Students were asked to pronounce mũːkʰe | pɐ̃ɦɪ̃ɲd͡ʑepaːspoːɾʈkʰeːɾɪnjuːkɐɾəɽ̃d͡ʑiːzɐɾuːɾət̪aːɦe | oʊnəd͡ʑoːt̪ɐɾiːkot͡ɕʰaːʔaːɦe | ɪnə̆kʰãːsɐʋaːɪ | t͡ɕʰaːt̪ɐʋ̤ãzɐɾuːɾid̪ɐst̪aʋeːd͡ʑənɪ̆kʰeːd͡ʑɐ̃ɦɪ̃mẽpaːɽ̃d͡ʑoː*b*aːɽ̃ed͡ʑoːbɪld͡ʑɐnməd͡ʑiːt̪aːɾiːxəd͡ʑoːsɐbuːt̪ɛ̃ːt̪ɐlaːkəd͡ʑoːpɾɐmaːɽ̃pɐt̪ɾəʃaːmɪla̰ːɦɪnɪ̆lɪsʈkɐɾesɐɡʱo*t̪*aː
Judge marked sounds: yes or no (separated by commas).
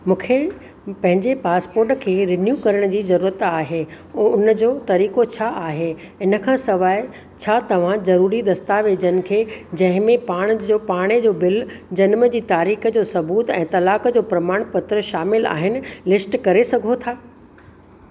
no, no